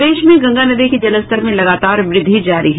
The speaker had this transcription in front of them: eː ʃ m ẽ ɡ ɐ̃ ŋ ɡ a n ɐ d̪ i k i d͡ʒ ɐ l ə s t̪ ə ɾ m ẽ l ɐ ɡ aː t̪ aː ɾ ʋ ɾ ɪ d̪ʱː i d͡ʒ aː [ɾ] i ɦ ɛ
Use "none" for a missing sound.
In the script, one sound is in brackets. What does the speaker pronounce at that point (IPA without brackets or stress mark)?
ɾ